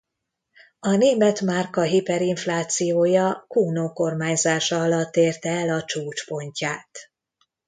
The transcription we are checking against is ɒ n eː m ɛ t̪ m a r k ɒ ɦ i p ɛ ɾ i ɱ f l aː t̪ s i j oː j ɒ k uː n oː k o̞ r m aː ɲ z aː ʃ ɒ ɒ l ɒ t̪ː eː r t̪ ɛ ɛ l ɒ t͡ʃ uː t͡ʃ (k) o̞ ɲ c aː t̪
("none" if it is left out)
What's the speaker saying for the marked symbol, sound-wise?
p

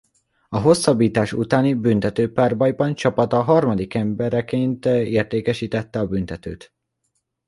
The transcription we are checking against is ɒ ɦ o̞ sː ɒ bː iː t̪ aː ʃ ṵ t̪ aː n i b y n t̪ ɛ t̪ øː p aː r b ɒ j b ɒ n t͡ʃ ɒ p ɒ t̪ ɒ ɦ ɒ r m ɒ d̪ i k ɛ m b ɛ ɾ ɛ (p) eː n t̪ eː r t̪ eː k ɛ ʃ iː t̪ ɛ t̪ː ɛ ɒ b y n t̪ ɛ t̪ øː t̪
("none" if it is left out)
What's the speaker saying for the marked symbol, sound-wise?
k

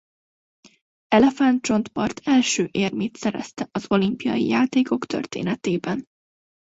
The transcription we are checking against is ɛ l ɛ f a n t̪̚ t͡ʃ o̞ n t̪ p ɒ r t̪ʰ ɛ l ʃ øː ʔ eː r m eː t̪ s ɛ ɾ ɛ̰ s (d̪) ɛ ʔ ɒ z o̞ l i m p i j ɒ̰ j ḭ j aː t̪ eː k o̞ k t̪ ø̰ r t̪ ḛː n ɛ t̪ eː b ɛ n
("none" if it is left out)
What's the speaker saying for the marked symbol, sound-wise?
t̪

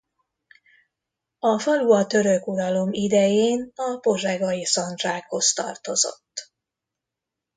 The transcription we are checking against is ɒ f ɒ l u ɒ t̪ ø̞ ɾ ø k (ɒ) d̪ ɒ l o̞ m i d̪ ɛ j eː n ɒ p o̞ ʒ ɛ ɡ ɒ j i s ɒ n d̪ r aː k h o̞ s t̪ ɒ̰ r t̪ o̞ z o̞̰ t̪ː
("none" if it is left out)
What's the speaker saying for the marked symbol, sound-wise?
u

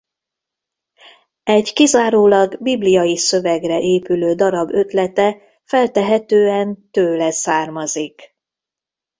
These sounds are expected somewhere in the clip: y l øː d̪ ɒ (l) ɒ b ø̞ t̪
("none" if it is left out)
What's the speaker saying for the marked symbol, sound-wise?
ɾ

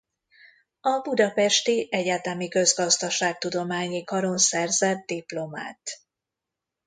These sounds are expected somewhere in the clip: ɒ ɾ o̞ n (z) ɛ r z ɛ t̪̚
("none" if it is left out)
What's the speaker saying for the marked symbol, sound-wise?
s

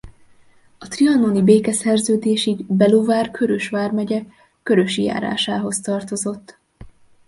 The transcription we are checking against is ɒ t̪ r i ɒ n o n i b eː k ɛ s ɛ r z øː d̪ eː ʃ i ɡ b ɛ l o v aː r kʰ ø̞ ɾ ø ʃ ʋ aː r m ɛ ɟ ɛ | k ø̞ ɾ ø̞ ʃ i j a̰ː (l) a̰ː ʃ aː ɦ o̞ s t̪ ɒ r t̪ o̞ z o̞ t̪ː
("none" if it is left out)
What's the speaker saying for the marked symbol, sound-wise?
ɾ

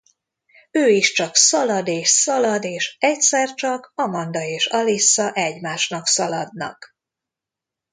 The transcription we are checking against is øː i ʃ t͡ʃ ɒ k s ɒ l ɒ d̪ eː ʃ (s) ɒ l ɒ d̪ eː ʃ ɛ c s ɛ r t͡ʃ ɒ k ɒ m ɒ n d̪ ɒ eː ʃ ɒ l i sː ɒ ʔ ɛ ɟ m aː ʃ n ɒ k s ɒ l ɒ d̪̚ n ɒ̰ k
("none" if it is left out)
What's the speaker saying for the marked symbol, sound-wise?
s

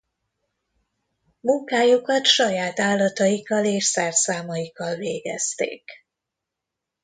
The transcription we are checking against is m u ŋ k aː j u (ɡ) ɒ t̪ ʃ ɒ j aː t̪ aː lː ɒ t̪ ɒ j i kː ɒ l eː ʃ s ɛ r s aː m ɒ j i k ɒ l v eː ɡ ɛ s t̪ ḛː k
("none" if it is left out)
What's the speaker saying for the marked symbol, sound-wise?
k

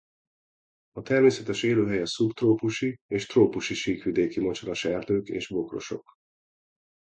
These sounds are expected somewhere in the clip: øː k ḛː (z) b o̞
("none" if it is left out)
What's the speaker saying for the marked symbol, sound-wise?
ʒ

